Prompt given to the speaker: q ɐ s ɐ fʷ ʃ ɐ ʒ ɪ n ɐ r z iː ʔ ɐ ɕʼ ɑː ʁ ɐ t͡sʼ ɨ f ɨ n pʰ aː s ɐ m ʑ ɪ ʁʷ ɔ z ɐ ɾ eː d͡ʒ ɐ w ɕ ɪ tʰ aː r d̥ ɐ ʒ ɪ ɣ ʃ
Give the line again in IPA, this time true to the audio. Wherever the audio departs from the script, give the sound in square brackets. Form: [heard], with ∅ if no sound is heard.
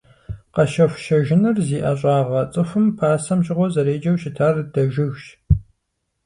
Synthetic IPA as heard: q ɐ [ʃ] ɐ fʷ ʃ ɐ ʒ ɪ n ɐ r z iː ʔ ɐ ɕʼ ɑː ʁ ɐ t͡sʼ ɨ f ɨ [m] pʰ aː s ɐ m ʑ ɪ ʁʷ ɔ z ɐ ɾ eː d͡ʒ ɐ w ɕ ɪ tʰ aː r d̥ ɐ ʒ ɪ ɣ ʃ